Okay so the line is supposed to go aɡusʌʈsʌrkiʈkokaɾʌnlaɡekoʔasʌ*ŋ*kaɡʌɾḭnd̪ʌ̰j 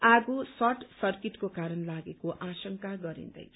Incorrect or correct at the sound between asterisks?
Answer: correct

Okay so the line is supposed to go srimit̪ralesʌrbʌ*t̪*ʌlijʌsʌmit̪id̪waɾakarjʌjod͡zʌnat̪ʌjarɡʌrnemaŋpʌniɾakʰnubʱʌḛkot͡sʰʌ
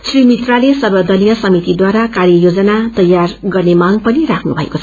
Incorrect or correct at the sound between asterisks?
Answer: incorrect: d̪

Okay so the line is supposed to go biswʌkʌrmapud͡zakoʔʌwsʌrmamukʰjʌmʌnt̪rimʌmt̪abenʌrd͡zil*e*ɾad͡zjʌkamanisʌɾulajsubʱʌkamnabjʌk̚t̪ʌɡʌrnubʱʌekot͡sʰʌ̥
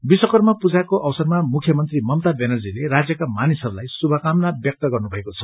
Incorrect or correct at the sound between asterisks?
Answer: correct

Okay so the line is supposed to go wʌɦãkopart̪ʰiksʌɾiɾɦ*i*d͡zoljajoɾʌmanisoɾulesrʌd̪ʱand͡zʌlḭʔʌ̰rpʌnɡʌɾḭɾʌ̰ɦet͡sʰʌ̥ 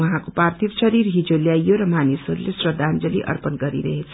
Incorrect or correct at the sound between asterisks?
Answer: correct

